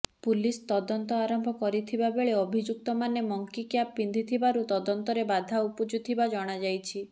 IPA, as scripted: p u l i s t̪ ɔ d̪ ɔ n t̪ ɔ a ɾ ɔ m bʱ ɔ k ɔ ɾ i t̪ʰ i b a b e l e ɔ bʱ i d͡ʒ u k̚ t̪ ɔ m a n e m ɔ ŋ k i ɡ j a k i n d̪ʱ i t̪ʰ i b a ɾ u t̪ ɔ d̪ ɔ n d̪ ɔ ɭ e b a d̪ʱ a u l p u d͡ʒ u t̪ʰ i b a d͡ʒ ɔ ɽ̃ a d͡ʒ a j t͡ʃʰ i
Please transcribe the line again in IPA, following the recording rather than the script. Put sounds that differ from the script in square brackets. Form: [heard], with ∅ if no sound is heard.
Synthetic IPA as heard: p u l i s t̪ ɔ d̪ ɔ n t̪ ɔ a ɾ ɔ m bʱ ɔ k ɔ ɾ i t̪ʰ i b a b e [ɭ] e ɔ bʱ i d͡ʒ u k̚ t̪ ɔ m a n e m ɔ ŋ k i [k] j a [p] i n d̪ʱ i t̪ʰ i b a ɾ u t̪ ɔ d̪ ɔ n [t̪] ɔ [ɾ] e b a d̪ʱ a u [∅] p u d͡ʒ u t̪ʰ i b a d͡ʒ ɔ ɽ̃ a d͡ʒ a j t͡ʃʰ i